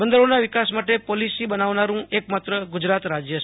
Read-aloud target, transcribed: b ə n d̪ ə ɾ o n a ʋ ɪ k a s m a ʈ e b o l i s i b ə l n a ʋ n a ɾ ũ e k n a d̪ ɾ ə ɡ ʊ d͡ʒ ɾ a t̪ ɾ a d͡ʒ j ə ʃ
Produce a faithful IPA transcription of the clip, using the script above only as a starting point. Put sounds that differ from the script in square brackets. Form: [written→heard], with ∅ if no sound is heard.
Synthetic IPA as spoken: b ə n d̪ ə ɾ o n a ʋ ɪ k a s m a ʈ e [b→p] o l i s i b ə [l→∅] n a ʋ n a ɾ ũ e k [n→m] a [d̪→t̪] ɾ ə ɡ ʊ d͡ʒ ɾ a t̪ ɾ a d͡ʒ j ə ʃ